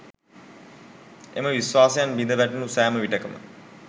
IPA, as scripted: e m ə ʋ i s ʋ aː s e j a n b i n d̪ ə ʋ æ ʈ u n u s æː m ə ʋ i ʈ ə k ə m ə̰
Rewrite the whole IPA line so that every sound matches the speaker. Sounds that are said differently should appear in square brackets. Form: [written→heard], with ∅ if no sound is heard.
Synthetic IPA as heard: e m ə ʋ i s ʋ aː s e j a n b i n d̪ ə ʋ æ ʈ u n u s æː m ə ʋ i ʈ ə k ə m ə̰